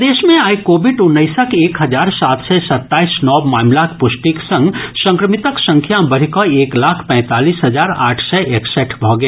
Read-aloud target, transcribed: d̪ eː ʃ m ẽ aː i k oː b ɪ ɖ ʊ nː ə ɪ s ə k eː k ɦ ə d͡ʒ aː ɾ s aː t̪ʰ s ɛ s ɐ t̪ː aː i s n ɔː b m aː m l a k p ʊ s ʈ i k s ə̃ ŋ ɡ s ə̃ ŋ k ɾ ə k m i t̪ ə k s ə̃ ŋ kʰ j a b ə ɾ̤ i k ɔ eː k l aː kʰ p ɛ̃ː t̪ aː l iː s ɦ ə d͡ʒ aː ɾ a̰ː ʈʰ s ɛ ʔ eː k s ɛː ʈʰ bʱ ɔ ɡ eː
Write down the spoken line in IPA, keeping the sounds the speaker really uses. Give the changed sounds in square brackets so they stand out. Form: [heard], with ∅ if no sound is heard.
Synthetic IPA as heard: d̪ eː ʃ m ẽ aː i k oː b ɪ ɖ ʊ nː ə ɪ s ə k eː k ɦ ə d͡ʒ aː ɾ s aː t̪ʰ s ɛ s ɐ t̪ː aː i s n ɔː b m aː m l a k p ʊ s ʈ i k s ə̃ ŋ ɡ s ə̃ ŋ k ɾ ə [∅] m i t̪ ə k s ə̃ ŋ kʰ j a b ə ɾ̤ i k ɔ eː k l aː kʰ p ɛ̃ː t̪ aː l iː s ɦ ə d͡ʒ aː ɾ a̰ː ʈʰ s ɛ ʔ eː k s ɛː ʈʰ bʱ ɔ ɡ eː